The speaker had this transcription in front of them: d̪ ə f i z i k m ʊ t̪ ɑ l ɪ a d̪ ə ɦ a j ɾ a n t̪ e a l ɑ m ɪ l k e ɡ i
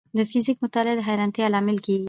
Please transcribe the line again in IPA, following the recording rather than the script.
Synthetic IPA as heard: d̪ ə f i z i k m ʊ t̪ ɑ l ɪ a d̪ ə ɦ a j ɾ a n t̪ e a l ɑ m ɪ l k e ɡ i